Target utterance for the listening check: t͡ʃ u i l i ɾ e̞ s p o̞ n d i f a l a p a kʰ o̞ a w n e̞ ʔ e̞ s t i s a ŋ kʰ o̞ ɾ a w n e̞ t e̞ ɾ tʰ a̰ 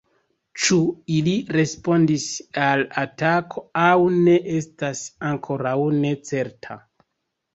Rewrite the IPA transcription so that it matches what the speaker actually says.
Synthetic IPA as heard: t͡ʃ u i l i ɾ e̞ s p o̞ n d i s a l a t a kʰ o̞ a w n e̞ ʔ e̞ s t a s a ŋ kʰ o̞ ɾ a w n e̞ t͡s e̞ ɾ tʰ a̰